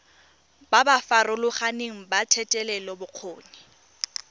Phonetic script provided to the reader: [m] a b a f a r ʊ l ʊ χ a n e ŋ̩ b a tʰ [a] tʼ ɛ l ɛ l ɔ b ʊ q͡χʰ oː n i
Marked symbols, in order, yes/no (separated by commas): no, no